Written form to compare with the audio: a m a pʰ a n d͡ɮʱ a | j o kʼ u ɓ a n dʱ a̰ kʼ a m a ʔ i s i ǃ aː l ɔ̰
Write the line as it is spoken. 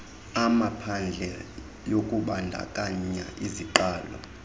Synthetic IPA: a m a pʰ a n d͡ɮʱ ɛ | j o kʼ u ɓ a n dʱ a̰ kʼ a ɲ a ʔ i z i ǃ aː l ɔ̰